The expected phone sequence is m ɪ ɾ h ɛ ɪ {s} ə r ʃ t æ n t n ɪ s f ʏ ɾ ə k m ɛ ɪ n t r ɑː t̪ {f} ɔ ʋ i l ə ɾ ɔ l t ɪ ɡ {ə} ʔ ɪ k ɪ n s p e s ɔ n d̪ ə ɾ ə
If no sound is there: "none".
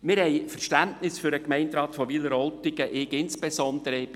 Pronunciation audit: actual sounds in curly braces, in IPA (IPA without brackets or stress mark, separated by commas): f, f, ə